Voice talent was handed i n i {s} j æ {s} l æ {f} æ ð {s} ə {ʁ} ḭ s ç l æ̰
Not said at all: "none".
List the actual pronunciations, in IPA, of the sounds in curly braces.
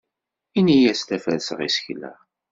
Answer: none, s, f, s, ʁ

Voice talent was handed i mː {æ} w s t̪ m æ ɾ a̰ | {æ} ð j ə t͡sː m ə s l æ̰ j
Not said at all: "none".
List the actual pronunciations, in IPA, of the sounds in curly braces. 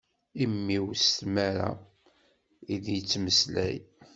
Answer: i, i

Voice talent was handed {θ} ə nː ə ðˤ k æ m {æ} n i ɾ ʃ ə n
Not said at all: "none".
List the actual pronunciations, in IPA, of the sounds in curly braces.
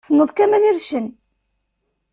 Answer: s, æ

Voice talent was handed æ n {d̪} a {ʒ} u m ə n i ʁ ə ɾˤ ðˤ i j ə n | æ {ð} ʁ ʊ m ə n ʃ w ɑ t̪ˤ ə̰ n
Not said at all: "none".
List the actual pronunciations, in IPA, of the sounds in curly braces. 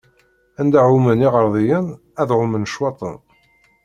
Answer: d̪, ʕ, ð

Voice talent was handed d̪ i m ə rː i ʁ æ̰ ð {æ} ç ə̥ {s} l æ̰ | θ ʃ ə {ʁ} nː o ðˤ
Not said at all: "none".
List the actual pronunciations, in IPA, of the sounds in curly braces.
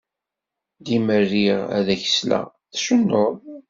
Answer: æ, s, none

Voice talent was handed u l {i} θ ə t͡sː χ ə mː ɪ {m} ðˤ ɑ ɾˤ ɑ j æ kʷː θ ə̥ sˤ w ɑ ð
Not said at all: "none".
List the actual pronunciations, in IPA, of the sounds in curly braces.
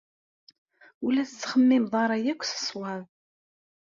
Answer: æ, m

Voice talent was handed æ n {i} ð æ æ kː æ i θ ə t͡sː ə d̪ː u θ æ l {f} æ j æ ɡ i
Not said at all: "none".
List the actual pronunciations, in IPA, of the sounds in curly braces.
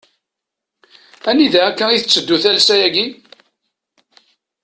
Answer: i, s

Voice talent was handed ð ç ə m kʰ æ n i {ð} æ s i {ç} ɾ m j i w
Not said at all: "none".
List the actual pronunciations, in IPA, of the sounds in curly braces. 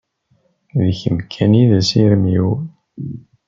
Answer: ð, none

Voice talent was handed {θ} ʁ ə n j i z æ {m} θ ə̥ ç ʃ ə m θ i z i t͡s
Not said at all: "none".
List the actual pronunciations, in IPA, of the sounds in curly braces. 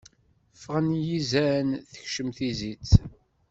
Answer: f, n

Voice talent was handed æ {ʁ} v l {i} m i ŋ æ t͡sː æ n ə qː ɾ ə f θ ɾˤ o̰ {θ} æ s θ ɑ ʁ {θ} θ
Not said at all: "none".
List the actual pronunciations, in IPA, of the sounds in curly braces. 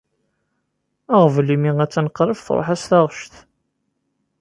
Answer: ʁ, i, ħ, ʃ

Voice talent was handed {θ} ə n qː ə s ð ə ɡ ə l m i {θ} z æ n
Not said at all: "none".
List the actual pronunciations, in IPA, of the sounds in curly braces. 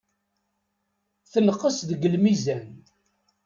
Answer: θ, none

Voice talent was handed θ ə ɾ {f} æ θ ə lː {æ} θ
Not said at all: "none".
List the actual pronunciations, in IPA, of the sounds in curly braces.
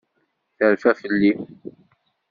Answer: f, i

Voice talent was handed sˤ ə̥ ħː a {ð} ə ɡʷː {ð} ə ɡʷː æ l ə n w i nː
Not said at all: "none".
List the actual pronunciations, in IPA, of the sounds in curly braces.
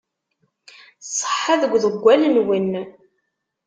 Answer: ð, ð

